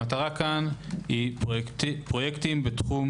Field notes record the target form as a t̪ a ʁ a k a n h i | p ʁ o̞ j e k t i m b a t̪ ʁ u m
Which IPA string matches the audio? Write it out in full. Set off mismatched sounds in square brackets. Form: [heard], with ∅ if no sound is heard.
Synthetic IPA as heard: a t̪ a ʁ a k a n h i | p ʁ o̞ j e k t i m b [e] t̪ [χ] u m